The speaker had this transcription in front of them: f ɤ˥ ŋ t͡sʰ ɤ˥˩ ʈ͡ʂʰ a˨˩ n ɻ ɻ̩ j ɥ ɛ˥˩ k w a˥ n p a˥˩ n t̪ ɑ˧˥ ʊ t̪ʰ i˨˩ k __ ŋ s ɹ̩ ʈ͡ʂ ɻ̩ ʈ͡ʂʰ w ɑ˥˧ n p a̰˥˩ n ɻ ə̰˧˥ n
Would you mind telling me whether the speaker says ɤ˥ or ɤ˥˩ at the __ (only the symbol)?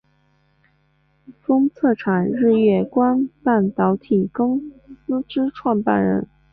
ɤ˥